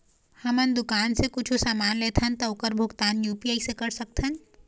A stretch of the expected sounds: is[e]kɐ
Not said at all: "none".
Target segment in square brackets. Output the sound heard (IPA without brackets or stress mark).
e